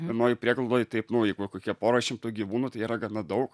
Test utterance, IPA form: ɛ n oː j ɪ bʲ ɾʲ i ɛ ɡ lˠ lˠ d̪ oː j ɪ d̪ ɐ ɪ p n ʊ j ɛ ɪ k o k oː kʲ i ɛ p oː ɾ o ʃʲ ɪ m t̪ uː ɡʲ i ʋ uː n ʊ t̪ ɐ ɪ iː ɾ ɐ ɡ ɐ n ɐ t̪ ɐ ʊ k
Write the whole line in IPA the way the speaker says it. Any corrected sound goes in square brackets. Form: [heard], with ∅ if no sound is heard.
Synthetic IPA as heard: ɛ n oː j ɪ [pʲ] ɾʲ i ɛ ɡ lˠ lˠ d̪ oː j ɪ [t̪] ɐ ɪ p n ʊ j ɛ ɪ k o k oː kʲ i ɛ p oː ɾ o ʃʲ ɪ m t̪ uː ɡʲ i ʋ uː n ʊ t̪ ɐ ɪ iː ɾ ɐ ɡ ɐ n ɐ [d̪] ɐ ʊ k